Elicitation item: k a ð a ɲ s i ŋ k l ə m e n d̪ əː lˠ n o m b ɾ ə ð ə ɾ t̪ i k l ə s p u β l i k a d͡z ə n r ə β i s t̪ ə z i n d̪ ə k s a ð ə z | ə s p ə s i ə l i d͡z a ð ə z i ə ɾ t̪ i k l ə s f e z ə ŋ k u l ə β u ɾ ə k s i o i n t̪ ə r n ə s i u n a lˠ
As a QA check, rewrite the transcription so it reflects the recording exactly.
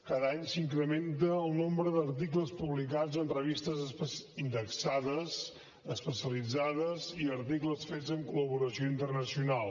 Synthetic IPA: k a ð a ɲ s i ŋ k ɾ ə m e n t̪ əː lˠ n o m b ɾ ə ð ə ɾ t̪ i k l ə s p u β l i k a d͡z ə n r ə β i s t̪ ə z i n d̪ ə k s a ð ə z | ə s p ə s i ə l i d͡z a ð ə z i ə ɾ t̪ i k l ə s f e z ə ŋ k u l ə β u ɾ ə s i o i n t̪ ə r n ə s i u n a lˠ